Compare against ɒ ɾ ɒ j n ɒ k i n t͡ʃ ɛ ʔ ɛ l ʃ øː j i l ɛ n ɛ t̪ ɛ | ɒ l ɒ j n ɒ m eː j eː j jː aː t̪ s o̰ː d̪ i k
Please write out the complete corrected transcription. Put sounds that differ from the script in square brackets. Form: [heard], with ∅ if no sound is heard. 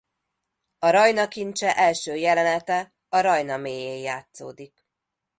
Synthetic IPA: ɒ ɾ ɒ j n ɒ k i n t͡ʃ ɛ ʔ ɛ l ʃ øː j [ɛ] l ɛ n ɛ t̪ ɛ | ɒ [ɾ] ɒ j n ɒ m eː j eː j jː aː t̪ s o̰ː d̪ i k